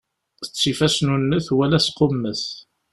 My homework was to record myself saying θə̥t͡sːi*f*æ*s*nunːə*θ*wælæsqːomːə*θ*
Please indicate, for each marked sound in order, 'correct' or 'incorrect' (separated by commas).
correct, correct, correct, correct